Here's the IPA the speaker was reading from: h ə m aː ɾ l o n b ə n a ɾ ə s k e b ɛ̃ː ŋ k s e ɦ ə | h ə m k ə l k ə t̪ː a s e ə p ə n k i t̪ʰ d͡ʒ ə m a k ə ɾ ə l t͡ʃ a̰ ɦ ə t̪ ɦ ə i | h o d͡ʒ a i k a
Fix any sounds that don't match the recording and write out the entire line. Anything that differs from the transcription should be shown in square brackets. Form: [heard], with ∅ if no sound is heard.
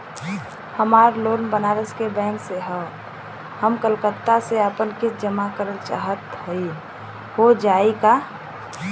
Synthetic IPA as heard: h ə m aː ɾ l o n b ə n a ɾ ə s k e b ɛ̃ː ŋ k s e ɦ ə | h ə m k ə l k ə t̪ː a s e ə p ə n k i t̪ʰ d͡ʒ ə m a k ə ɾ ə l t͡ʃ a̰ ɦ ə t̪ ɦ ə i | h o d͡ʒ a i k a